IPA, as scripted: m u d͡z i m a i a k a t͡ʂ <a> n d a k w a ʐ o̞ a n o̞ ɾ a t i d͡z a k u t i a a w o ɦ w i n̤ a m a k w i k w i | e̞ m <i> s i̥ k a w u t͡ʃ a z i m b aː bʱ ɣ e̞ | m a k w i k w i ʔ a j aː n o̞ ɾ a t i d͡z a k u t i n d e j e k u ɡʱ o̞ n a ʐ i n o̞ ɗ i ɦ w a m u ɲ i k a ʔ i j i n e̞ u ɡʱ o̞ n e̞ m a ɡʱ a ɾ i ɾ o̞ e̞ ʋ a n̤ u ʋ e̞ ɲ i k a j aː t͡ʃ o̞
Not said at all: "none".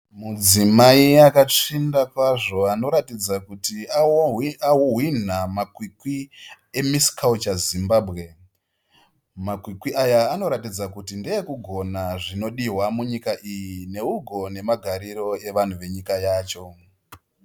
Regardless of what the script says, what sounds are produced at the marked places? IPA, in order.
i, i

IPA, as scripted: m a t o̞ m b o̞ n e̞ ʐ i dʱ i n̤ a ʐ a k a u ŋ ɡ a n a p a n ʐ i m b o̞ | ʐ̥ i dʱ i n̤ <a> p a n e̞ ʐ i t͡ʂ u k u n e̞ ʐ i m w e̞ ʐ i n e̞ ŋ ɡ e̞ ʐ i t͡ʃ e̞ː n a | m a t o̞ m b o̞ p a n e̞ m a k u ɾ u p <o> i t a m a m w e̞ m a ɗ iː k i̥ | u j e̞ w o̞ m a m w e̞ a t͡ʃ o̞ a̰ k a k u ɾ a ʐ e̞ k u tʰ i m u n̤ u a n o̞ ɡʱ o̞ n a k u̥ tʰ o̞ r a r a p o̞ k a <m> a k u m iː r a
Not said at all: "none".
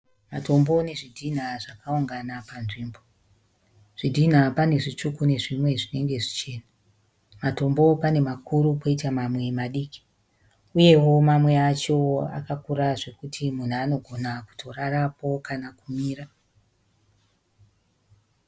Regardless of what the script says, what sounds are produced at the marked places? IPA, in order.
a, o, n

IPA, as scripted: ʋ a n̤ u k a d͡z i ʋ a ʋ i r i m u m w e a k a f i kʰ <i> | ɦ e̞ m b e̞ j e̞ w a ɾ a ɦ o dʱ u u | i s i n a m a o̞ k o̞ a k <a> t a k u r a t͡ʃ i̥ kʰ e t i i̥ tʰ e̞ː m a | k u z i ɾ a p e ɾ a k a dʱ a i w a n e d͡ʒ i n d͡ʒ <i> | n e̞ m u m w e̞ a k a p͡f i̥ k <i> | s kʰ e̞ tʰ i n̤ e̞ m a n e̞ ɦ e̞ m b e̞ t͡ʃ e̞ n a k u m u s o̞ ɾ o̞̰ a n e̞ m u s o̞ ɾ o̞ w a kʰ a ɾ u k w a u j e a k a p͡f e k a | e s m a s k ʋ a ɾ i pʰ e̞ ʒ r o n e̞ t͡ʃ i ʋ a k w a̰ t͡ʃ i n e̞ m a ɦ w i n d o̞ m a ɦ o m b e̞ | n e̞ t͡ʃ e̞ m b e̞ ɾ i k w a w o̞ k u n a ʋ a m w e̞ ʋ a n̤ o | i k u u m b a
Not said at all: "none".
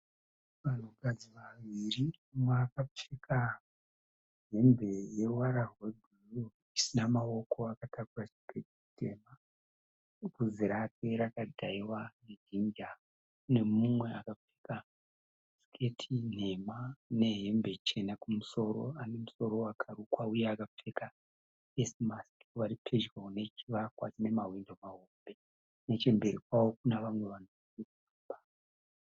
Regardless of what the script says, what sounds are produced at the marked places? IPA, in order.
a, a, a, a

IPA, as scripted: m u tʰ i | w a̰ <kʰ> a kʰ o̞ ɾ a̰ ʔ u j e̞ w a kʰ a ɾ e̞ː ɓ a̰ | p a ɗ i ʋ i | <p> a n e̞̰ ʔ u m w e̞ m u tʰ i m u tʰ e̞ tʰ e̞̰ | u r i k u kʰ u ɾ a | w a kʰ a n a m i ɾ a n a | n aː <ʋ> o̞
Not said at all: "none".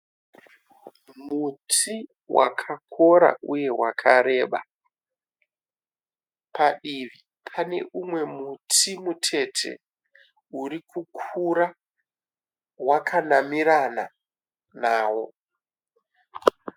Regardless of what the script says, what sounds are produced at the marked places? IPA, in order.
kʰ, pʰ, w

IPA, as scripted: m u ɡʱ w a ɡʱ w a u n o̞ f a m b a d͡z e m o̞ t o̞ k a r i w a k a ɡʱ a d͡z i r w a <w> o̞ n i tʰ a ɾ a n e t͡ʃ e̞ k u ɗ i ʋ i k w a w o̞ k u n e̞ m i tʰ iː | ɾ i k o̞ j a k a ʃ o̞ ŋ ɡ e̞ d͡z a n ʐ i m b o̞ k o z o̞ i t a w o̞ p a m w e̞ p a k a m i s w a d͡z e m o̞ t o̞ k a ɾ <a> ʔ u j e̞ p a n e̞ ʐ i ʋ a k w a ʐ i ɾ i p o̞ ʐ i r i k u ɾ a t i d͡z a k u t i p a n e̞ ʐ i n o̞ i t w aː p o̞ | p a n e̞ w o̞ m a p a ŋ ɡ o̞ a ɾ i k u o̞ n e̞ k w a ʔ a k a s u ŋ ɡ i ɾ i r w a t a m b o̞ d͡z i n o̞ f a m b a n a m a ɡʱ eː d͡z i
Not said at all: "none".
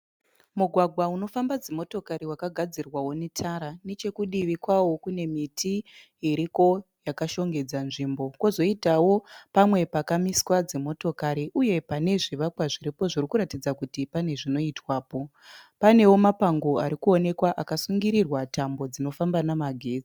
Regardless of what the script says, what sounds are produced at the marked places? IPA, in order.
w, i

